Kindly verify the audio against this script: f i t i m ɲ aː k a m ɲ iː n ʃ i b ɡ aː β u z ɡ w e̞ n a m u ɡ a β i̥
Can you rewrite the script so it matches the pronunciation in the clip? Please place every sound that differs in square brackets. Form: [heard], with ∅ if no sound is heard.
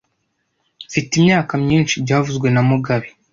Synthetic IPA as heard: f i t i m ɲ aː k a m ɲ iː n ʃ i b [ɟ] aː [v] u z ɡ w e̞ n a m u ɡ a β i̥